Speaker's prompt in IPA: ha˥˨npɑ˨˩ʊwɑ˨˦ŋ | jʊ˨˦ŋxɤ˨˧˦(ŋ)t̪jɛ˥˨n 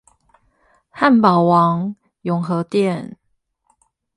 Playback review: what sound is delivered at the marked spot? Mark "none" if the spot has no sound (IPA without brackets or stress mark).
none